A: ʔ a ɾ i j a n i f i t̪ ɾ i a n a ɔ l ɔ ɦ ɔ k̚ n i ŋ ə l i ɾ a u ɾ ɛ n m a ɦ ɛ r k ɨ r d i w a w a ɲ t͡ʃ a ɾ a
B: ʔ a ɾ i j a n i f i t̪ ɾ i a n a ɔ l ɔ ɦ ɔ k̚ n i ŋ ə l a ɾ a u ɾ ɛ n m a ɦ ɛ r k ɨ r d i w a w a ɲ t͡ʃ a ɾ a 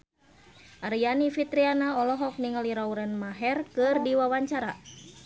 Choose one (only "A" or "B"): A